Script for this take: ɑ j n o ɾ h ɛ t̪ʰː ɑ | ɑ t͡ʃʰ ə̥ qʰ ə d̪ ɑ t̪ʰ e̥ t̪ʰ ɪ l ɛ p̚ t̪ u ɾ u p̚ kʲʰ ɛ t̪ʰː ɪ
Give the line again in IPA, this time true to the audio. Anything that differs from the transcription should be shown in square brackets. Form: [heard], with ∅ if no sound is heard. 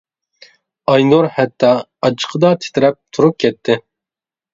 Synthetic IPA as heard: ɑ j n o ɾ h ɛ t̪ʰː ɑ | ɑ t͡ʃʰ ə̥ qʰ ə d̪ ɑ t̪ʰ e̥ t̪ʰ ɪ [ɾ] ɛ p̚ [t̪ʰ] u ɾ u p̚ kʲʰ ɛ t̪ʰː ɪ